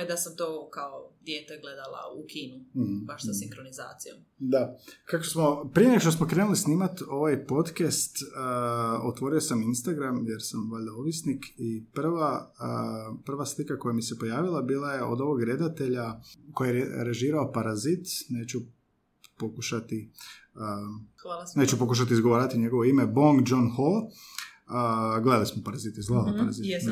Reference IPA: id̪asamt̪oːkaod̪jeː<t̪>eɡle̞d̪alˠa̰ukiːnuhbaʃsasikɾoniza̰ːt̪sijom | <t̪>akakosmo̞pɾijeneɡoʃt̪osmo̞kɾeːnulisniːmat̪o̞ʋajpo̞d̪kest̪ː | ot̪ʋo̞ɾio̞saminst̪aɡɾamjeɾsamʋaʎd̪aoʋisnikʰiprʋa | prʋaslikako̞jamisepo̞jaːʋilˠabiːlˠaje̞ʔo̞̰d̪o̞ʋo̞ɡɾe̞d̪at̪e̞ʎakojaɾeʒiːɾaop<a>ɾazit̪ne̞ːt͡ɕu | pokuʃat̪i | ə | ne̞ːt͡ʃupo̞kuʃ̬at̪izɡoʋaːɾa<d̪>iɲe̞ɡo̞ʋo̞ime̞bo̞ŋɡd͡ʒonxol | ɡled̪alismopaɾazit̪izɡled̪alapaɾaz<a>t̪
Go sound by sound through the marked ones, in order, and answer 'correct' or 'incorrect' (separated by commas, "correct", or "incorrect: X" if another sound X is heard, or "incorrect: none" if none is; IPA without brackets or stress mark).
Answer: correct, incorrect: d̪, correct, incorrect: t̪, incorrect: i